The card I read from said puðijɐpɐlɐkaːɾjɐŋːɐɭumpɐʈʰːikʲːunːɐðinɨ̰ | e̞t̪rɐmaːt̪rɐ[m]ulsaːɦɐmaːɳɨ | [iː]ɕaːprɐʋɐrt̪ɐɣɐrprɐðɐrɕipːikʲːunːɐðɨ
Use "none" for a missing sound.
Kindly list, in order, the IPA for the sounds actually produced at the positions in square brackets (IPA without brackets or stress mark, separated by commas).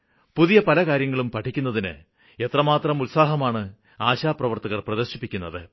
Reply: m, aː